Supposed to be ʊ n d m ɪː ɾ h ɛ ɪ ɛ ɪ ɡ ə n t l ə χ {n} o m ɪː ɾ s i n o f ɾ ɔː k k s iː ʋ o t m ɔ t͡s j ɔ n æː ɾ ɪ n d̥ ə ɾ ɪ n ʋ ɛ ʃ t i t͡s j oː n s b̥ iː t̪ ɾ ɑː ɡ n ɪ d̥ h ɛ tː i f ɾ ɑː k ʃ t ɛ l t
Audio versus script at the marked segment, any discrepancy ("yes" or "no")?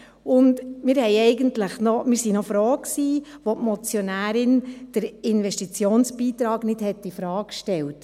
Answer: no